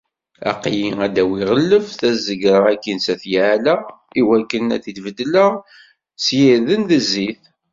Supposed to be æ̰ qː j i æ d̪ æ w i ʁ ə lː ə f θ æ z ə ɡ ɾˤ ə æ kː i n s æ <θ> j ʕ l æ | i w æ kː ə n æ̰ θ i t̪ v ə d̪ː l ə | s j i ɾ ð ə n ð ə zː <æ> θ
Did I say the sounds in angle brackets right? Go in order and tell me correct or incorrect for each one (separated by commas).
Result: correct, incorrect